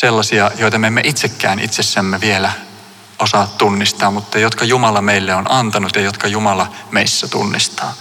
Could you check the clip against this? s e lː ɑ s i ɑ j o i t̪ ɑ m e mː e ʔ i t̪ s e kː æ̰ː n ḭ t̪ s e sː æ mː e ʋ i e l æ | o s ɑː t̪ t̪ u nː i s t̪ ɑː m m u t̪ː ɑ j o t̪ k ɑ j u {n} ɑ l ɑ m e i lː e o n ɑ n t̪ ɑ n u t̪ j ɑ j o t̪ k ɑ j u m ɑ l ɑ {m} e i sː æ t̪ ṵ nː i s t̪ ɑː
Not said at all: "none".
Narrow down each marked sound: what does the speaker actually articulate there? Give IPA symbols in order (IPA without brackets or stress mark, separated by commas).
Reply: m, m